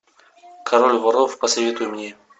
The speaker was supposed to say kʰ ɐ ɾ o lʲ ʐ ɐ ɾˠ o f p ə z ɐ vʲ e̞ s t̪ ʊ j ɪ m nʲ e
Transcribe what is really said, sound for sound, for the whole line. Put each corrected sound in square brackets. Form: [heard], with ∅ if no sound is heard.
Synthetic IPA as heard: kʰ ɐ ɾ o lʲ [v] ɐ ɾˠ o f p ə [s] ɐ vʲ e̞ [∅] t̪ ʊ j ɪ m nʲ e